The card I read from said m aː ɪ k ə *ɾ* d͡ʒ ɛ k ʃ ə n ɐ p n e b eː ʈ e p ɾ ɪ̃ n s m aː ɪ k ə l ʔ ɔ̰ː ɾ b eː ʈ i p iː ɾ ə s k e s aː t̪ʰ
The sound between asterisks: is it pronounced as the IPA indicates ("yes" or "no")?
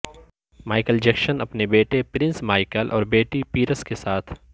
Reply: no